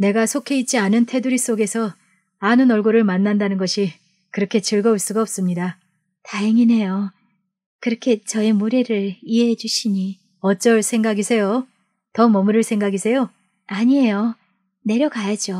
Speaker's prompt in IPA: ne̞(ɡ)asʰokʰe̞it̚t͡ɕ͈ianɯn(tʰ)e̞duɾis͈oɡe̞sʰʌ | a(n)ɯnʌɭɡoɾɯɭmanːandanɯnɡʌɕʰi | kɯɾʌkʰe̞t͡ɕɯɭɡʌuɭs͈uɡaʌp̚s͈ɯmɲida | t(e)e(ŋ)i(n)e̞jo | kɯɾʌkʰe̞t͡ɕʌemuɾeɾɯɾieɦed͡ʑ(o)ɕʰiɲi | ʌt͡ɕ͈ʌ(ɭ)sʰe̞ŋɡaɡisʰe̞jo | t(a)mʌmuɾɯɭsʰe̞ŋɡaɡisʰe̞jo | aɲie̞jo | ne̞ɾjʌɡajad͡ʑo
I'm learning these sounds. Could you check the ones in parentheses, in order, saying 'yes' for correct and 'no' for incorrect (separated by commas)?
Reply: yes, yes, yes, no, yes, yes, no, yes, no